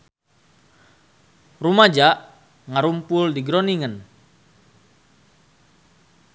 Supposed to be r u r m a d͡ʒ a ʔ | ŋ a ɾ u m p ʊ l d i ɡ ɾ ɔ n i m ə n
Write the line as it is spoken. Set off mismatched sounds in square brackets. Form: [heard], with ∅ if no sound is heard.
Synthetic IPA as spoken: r u [∅] m a d͡ʒ a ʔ | ŋ a ɾ u m p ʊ l d i ɡ ɾ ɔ n i [ŋ] ə n

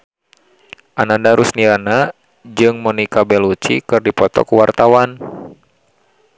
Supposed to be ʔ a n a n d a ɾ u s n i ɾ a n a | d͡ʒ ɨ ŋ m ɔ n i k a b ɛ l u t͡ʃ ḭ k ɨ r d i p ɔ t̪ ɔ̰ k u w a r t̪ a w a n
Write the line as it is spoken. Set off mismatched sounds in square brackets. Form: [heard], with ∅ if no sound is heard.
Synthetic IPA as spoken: ʔ a n a n d a ɾ u s n i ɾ a n a | d͡ʒ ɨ ŋ m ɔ n i k a b ɛ l u t͡ʃ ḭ k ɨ r d i p ɔ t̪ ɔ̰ k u w a r t̪ a w a n

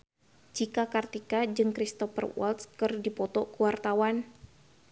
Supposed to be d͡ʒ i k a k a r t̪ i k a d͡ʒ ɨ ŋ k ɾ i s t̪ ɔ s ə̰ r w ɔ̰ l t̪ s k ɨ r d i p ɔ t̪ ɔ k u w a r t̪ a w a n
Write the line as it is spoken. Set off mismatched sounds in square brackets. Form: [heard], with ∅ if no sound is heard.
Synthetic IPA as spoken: d͡ʒ i k a k a r t̪ i k a d͡ʒ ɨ ŋ k ɾ i s t̪ ɔ [f] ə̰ r w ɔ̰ l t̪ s k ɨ r d i p ɔ t̪ ɔ k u w a r t̪ a w a n

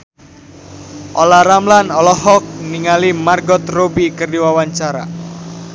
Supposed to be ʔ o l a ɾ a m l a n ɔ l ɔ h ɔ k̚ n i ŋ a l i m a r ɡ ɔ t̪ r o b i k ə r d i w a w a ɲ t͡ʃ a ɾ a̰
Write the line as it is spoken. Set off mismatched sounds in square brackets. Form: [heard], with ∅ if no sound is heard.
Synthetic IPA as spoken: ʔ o l a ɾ a m l a n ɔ l ɔ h ɔ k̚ n i ŋ a l i m a r ɡ ɔ t̪ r o b i k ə r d i w a w a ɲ t͡ʃ a ɾ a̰

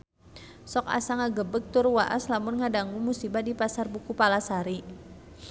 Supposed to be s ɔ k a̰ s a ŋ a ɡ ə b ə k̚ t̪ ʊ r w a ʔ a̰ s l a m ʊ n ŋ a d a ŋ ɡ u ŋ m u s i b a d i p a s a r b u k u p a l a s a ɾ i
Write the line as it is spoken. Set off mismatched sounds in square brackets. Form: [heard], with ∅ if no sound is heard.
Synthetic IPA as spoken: s ɔ k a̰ s a ŋ a ɡ ə b ə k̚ t̪ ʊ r w a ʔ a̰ s l a m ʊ n ŋ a d a ŋ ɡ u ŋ m u s i b a d i p a s a r b u k u p a l a s a ɾ i

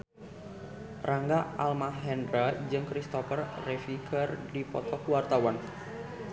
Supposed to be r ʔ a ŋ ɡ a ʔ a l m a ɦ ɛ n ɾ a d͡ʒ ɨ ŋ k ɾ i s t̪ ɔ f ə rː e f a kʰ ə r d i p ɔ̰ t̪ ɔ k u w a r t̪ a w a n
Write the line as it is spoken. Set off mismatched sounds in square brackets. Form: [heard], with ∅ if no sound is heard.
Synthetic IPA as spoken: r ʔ a ŋ ɡ a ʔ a l m a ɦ ɛ n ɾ a d͡ʒ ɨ ŋ k ɾ i s t̪ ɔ f ə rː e f [i] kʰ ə r d i p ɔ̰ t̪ ɔ k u w a r t̪ a w a n

